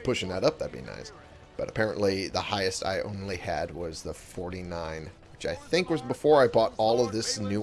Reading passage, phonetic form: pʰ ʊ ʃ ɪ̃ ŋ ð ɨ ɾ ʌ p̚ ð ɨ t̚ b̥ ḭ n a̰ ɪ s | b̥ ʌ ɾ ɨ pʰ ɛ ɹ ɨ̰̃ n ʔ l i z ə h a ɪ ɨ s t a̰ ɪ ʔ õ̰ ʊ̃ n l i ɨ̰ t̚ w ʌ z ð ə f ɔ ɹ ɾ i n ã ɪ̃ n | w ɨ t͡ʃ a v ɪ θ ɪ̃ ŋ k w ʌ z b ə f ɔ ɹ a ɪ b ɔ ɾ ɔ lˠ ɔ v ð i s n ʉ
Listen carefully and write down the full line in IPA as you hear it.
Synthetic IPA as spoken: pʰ ʊ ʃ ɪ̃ ŋ ð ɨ ɾ ʌ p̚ ð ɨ t̚ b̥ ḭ n a̰ ɪ s | b̥ ʌ ɾ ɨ pʰ ɛ ɹ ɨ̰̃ n ʔ l i ð ə h a ɪ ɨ s t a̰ ɪ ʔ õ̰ ʊ̃ n l i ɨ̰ d̚ w ʌ z ð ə f ɔ ɹ ɾ i n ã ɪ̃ n | w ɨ t͡ʃ a ɪ θ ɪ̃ ŋ k w ʌ z b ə f ɔ ɹ a ɪ b ɔ ɾ ɔ lˠ ʌ v ð ɪ s n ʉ